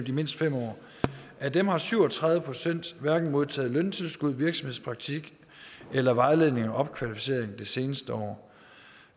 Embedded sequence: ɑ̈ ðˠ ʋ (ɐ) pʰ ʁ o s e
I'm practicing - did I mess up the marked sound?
yes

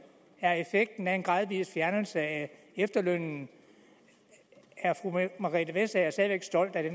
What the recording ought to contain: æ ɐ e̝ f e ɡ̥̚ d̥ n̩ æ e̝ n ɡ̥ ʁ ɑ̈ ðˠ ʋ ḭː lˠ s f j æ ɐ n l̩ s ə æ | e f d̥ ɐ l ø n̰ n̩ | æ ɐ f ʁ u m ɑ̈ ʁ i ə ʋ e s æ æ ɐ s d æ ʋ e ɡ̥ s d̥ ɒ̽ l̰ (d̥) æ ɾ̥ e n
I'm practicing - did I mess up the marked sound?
no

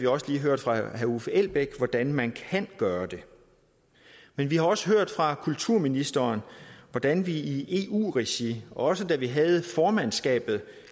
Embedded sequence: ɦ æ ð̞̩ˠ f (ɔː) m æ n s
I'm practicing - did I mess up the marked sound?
yes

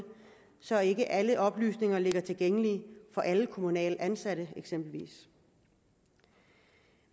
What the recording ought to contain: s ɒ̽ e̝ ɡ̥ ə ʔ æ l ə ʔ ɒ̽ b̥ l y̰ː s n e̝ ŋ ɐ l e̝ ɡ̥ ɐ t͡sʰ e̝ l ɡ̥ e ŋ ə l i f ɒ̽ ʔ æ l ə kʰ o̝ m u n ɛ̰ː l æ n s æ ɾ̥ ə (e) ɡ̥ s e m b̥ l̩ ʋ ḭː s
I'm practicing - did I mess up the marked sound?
no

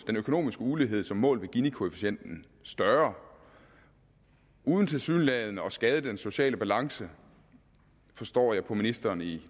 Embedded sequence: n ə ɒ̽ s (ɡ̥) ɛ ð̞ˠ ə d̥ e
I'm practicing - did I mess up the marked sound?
no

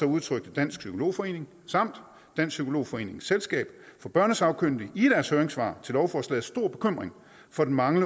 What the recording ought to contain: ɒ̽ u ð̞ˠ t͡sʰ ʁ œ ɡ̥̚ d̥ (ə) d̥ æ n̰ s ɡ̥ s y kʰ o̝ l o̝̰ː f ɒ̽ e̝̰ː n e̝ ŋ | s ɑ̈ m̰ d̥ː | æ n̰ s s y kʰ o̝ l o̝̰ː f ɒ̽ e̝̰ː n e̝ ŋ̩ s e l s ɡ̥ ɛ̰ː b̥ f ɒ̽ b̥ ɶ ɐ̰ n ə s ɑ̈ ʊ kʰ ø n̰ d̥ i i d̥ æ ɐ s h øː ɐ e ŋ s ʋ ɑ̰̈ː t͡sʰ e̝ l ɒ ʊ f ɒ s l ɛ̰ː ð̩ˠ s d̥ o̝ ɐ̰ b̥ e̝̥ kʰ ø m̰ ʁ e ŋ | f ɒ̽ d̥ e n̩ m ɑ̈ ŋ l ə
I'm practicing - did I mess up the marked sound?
no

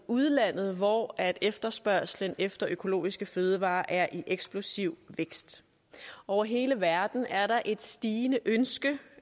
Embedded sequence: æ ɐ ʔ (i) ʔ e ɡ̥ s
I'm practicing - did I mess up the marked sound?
no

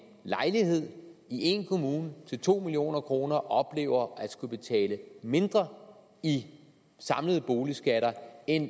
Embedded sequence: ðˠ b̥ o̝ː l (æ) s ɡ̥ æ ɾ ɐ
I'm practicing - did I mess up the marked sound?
yes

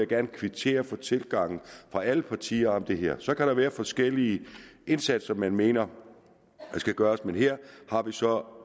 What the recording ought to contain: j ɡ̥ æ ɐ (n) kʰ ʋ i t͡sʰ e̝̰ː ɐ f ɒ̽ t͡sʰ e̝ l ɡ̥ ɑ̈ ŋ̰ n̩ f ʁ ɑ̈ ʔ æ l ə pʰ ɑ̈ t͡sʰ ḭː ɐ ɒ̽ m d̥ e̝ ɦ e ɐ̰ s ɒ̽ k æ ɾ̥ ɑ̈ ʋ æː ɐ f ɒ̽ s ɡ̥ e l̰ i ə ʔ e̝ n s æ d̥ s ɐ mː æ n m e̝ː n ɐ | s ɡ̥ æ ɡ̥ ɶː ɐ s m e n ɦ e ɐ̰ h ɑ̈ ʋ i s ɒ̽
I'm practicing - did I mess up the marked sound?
no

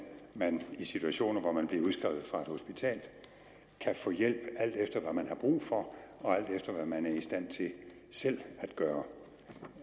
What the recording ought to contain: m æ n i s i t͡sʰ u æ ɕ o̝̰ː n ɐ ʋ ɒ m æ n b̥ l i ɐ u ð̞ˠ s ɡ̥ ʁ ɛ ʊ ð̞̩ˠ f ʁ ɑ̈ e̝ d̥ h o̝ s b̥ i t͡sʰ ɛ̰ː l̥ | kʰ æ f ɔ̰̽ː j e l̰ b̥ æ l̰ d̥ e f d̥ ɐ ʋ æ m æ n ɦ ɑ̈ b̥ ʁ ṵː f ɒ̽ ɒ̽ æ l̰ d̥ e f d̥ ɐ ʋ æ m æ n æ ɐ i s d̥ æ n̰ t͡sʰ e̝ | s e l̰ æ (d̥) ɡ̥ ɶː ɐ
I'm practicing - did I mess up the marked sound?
no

